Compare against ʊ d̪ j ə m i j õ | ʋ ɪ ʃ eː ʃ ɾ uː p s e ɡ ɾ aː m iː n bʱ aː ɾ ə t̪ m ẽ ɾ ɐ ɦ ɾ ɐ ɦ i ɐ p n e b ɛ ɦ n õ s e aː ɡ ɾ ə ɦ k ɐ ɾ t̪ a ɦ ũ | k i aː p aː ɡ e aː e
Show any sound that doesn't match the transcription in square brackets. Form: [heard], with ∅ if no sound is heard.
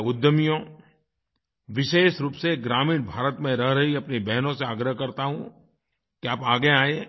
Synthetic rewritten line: ʊ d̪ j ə m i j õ | ʋ ɪ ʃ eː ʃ ɾ uː p s e ɡ ɾ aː m iː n bʱ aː ɾ ə t̪ m ẽ ɾ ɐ ɦ ɾ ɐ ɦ i ɐ p n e b ɛ ɦ n õ s e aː ɡ ɾ ə ɦ k ɐ ɾ t̪ a ɦ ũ | k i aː p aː ɡ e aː e

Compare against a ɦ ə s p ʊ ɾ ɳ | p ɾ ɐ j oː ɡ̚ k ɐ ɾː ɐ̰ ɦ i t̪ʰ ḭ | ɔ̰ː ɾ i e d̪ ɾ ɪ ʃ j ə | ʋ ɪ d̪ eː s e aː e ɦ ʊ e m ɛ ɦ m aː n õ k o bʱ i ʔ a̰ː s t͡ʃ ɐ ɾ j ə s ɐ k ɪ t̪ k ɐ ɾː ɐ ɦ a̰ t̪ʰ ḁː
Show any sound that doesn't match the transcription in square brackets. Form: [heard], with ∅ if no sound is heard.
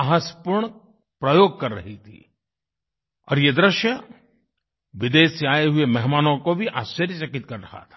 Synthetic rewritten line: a ɦ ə s p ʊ ɾ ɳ | p ɾ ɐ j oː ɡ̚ k ɐ ɾː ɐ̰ ɦ i t̪ʰ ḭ | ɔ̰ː ɾ [j] e d̪ ɾ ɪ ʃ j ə | ʋ ɪ d̪ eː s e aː e ɦ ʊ e m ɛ ɦ m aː n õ k o bʱ i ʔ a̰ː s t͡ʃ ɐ ɾ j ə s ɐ k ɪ t̪ k ɐ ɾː ɐ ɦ a̰ t̪ʰ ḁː

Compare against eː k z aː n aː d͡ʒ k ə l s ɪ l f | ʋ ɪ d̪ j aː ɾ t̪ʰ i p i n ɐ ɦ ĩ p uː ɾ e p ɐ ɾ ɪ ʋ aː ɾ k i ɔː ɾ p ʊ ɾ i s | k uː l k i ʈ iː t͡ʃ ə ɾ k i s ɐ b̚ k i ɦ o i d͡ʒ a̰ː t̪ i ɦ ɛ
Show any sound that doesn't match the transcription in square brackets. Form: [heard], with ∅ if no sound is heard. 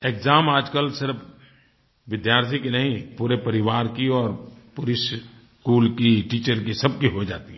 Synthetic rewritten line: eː k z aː [m] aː d͡ʒ k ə l s ɪ [ɾ] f | ʋ ɪ d̪ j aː ɾ t̪ʰ i [k] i n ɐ ɦ ĩ p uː ɾ e p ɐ ɾ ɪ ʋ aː ɾ k i ɔː ɾ p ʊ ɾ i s | k uː l k i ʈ iː t͡ʃ ə ɾ k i s ɐ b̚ k i ɦ o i d͡ʒ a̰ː t̪ i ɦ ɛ

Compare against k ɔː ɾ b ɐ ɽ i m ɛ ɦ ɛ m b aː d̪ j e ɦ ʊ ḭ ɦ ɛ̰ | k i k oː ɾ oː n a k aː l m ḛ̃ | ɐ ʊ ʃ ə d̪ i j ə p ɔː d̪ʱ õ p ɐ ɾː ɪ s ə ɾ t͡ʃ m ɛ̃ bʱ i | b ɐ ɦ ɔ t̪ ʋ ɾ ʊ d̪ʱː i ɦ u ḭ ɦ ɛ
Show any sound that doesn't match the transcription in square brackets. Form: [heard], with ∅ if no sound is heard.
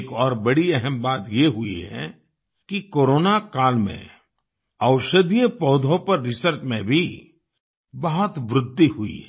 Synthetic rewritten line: k ɔː ɾ b ɐ ɽ i [∅] ɛ ɦ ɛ m b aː [t̪] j e ɦ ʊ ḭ ɦ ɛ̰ | k i k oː ɾ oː n a k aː l m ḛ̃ | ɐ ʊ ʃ ə d̪ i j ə p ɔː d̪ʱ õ p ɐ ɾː ɪ s ə ɾ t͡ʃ m [ẽ] bʱ i | b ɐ ɦ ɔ t̪ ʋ ɾ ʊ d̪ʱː i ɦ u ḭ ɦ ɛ

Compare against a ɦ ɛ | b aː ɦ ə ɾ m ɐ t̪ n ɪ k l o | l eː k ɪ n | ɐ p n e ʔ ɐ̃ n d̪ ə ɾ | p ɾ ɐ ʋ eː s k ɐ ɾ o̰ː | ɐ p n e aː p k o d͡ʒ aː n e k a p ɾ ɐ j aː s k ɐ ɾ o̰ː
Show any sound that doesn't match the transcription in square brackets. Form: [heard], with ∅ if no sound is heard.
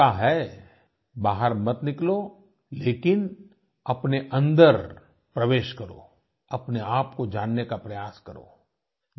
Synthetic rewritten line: a ɦ ɛ | b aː ɦ ə ɾ m ɐ t̪ n ɪ k l o | l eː k ɪ n | ɐ p n e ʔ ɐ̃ n d̪ ə ɾ | p ɾ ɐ ʋ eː [ʃ] k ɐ ɾ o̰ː | ɐ p n e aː p k o d͡ʒ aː [nː] e k a p ɾ ɐ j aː s k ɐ ɾ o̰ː

